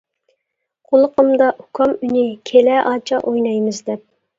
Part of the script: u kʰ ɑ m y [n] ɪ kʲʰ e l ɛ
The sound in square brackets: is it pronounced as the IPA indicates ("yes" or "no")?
yes